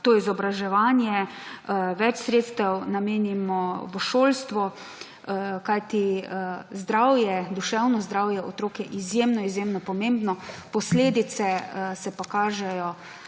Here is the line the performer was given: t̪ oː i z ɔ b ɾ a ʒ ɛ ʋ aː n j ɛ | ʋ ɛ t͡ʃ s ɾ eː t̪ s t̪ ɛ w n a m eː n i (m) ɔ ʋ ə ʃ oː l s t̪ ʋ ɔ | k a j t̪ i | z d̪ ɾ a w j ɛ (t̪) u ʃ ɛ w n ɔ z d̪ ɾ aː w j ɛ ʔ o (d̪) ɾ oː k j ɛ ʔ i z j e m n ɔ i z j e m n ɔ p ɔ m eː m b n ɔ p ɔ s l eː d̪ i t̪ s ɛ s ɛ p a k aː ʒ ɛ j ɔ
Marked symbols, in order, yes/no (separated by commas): yes, no, no